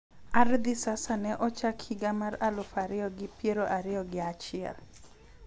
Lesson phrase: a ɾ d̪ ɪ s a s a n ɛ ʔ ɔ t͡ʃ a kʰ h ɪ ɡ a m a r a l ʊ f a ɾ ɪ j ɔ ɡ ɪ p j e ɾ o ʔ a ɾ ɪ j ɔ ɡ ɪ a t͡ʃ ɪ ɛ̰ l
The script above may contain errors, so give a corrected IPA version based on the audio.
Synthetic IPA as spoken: a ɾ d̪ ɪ s a s a n ɛ ʔ ɔ t͡ʃ a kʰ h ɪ ɡ a m a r a l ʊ f a ɾ ɪ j ɔ ɡ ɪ p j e ɾ o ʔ a ɾ ɪ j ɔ ɡ ɪ a t͡ʃ ɪ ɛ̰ l